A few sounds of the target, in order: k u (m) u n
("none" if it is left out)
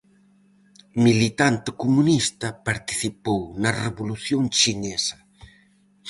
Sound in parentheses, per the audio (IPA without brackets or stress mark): m